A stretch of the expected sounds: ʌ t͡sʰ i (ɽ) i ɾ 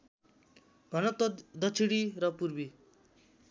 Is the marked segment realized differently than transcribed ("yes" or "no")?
no